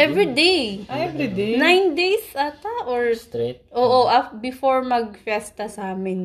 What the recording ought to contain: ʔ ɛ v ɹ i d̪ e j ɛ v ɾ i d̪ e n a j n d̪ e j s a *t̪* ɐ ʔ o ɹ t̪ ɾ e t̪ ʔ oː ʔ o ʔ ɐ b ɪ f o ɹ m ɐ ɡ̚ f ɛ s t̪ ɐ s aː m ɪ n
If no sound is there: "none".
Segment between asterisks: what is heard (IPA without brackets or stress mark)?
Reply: t̪